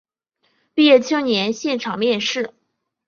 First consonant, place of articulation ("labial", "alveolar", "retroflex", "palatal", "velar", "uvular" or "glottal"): labial